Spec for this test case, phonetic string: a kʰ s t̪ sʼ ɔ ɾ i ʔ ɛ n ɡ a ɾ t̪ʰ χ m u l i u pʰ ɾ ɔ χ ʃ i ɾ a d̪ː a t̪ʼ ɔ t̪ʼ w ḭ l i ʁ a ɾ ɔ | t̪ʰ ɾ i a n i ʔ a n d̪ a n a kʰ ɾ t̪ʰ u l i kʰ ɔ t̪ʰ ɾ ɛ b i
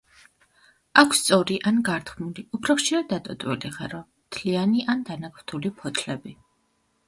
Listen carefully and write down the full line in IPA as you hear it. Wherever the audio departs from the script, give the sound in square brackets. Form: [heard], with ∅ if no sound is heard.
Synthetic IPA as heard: a kʰ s t̪ sʼ ɔ ɾ i ʔ [a] n ɡ a ɾ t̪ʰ χ m u l i u pʰ ɾ ɔ χ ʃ i ɾ a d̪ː a t̪ʼ ɔ t̪ʼ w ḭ l i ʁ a ɾ ɔ | t̪ʰ [l] i a n i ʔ a n d̪ a n a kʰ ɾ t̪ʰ u l i [pʰ] ɔ t̪ʰ [l] ɛ b i